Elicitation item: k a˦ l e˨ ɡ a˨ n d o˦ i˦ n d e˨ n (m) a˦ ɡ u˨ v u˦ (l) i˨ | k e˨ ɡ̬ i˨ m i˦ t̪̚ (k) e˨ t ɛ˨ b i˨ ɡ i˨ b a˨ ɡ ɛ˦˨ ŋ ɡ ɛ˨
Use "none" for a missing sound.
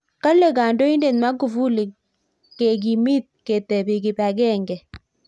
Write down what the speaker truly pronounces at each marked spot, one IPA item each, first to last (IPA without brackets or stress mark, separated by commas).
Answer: m, l, k